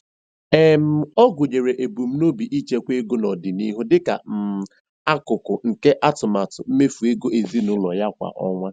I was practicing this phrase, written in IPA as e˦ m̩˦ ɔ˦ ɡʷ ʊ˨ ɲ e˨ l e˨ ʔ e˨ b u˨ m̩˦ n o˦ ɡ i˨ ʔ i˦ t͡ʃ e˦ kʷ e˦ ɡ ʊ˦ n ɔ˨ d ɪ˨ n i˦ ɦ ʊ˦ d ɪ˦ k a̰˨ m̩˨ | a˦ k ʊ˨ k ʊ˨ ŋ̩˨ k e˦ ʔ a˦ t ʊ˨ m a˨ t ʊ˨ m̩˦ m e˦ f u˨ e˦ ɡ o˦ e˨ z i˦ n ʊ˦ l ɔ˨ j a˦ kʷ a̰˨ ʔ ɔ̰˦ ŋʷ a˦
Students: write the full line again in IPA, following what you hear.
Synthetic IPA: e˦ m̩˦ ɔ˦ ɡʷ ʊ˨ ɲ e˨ ɾ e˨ ʔ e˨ b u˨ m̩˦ n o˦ b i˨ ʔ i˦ t͡ʃ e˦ kʷ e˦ ɡ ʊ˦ n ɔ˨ d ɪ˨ n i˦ ɦ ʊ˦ d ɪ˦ k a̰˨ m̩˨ | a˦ k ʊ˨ k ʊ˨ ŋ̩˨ k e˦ ʔ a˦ t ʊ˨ m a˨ t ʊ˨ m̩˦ m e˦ f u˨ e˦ ɡ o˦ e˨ z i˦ n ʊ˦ l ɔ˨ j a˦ kʷ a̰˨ ʔ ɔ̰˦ ŋʷ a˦